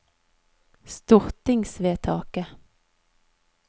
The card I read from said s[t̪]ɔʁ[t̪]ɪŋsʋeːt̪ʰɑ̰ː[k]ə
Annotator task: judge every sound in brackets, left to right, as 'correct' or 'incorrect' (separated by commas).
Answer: correct, correct, correct